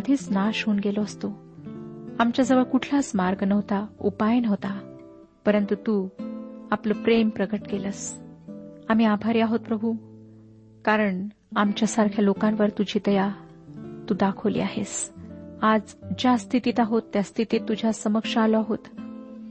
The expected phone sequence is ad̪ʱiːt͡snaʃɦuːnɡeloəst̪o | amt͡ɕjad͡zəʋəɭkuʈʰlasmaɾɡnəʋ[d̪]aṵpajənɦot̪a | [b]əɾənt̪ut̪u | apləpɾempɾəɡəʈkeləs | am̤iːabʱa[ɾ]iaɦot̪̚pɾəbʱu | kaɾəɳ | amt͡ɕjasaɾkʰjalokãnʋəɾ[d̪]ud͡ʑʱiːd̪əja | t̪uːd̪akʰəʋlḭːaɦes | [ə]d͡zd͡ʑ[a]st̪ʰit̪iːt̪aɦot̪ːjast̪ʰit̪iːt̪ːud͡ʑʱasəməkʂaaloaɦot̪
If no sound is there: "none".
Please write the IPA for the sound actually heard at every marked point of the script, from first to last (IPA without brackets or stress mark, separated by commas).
t̪, p, ɾ, t̪, a, a